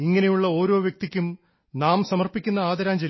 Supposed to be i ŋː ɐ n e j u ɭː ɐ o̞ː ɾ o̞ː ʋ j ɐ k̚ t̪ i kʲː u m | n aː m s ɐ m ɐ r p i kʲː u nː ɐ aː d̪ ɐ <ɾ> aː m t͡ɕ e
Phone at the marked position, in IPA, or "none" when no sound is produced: ɾ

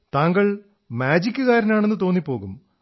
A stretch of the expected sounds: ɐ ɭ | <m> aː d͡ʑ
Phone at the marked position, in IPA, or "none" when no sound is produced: m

